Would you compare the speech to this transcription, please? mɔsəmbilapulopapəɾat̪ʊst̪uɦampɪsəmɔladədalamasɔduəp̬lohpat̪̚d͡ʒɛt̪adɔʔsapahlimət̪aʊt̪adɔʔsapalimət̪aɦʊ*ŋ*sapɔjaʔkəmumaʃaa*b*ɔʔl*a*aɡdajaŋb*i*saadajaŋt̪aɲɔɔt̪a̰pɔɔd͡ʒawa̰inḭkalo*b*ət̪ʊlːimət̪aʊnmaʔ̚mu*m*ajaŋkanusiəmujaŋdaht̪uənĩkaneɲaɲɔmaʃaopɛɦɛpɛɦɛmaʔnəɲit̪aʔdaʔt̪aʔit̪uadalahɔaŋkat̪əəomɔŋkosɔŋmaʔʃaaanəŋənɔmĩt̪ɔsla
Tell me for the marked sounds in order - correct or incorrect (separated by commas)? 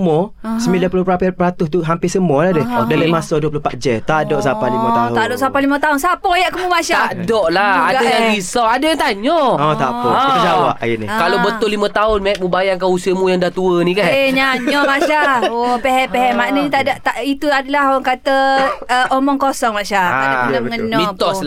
incorrect, incorrect, correct, correct, correct, incorrect